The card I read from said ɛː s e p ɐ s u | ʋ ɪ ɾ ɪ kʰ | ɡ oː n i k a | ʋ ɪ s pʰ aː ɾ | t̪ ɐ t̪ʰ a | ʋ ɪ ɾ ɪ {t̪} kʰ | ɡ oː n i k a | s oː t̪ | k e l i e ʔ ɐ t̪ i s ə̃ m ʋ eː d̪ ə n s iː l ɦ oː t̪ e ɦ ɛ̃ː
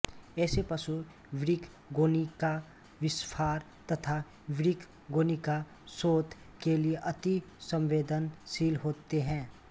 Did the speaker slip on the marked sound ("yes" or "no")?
yes